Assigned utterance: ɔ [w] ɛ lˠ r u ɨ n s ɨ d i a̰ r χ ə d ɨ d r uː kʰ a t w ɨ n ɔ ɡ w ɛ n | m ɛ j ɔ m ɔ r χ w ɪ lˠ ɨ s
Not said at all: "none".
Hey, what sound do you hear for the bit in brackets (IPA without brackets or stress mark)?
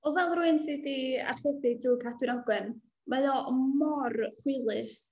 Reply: v